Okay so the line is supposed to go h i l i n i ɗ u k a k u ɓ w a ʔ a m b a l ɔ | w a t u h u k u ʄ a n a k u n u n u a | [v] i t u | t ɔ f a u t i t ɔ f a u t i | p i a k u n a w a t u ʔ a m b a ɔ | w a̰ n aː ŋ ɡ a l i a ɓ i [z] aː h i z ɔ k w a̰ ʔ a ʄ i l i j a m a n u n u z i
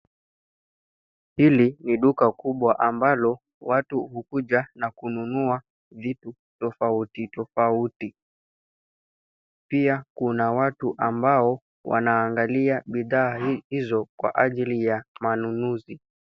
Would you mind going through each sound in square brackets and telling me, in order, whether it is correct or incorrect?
correct, incorrect

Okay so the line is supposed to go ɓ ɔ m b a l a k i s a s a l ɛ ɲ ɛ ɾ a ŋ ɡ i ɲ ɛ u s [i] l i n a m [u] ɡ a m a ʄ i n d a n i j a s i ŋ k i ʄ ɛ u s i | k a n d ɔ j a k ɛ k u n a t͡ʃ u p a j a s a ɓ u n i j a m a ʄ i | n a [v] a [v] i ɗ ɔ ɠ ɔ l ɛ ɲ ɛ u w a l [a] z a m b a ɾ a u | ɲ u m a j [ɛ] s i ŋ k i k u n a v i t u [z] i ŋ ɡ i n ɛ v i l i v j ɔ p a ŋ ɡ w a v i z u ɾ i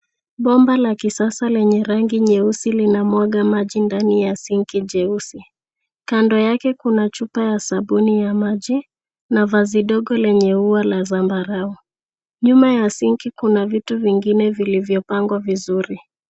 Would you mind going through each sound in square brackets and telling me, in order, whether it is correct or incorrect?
correct, incorrect, correct, incorrect, correct, incorrect, incorrect

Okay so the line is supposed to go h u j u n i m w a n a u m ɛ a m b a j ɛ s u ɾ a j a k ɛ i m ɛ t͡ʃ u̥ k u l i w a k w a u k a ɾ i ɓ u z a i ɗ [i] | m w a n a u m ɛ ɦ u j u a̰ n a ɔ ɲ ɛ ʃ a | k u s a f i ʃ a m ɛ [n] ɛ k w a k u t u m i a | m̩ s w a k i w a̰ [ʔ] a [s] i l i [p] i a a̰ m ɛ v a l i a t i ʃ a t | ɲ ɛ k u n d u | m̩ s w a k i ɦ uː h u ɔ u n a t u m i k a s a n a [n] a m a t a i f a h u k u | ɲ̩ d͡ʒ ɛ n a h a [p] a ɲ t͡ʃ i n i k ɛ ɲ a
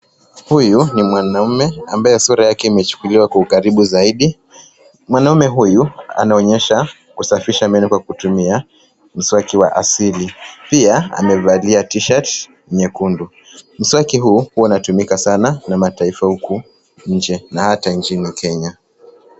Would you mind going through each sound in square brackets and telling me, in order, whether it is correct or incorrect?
correct, correct, correct, correct, correct, correct, incorrect

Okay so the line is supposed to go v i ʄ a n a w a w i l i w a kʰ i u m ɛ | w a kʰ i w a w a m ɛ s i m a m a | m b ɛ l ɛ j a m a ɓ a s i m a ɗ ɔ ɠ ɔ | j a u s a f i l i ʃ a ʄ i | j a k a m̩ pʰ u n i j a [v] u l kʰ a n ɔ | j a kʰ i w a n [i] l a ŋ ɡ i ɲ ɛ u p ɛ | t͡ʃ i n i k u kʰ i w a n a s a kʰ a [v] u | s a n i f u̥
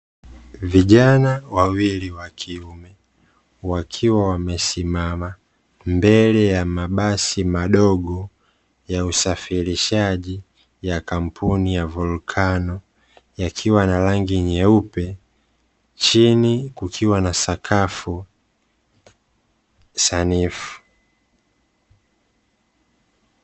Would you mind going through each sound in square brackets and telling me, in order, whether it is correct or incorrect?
correct, incorrect, incorrect

